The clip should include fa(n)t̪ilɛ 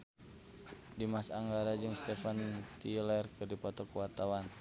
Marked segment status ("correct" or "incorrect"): correct